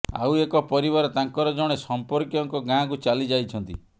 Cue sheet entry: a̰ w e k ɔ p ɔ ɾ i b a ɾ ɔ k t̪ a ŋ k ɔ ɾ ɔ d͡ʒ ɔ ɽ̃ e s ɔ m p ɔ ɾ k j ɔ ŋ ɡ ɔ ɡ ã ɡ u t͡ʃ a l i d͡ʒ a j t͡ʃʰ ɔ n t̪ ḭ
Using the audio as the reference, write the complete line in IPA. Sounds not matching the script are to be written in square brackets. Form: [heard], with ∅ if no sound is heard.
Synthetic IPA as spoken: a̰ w e k ɔ p ɔ ɾ i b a ɾ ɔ [∅] t̪ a ŋ k ɔ ɾ ɔ d͡ʒ ɔ ɽ̃ e s ɔ m p ɔ ɾ k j ɔ ŋ [k] ɔ ɡ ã [k] u t͡ʃ a l i d͡ʒ a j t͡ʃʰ ɔ n t̪ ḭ

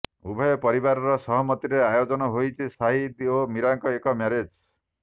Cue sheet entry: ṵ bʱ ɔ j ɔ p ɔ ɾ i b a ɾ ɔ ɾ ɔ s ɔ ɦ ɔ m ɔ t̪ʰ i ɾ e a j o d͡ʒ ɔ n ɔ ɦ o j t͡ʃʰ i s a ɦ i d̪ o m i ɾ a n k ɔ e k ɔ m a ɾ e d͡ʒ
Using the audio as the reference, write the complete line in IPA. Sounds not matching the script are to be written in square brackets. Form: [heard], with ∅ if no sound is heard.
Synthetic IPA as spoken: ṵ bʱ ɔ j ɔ p ɔ ɾ i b a ɾ ɔ ɾ ɔ s ɔ ɦ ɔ m ɔ [t̪] i ɾ e a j o d͡ʒ ɔ n ɔ ɦ o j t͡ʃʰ i s a ɦ i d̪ o m i ɾ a [ŋ] k ɔ e k ɔ m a ɾ e d͡ʒ

